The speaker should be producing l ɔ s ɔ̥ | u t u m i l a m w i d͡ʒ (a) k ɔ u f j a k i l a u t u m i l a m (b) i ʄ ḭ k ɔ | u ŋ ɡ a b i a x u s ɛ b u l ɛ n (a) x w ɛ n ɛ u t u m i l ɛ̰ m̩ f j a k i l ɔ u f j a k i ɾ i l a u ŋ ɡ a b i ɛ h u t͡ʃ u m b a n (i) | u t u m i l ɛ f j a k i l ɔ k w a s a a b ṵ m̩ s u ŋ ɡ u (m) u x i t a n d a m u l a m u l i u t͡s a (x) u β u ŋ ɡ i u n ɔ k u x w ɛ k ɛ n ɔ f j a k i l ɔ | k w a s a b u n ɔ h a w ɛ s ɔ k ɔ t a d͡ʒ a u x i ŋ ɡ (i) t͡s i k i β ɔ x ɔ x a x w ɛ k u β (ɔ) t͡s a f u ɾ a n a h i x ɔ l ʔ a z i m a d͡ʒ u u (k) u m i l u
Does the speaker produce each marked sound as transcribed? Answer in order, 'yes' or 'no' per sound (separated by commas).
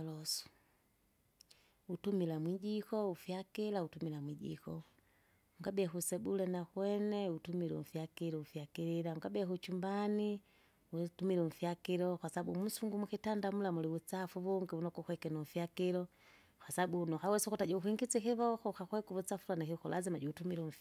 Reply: no, no, yes, yes, yes, no, yes, no, no